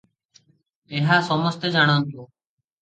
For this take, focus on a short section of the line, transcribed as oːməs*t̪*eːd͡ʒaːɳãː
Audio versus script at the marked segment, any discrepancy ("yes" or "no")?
no